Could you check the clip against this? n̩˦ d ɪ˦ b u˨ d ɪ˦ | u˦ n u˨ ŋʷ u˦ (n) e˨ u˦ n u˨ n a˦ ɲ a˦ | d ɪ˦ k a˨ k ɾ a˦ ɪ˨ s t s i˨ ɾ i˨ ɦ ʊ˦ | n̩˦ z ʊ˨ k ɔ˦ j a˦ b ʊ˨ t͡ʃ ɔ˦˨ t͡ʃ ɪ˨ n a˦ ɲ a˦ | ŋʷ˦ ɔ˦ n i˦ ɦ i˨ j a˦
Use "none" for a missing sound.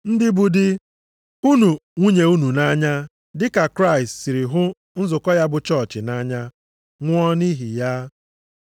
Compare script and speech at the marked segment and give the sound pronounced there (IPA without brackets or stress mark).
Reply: ɲ